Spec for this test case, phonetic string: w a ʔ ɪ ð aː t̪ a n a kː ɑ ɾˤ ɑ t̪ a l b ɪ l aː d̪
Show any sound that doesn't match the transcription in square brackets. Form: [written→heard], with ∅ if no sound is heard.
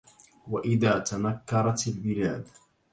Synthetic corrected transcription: w a ʔ ɪ ð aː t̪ a n a kː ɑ ɾˤ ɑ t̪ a l b ɪ l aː d̪